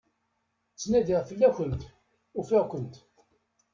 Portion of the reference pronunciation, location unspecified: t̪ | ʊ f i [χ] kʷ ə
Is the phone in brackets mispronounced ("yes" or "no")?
yes